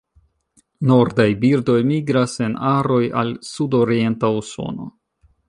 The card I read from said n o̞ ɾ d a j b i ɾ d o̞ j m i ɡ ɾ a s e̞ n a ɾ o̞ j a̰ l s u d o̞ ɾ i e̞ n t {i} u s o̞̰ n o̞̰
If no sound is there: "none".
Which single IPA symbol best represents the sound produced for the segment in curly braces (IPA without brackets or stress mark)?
a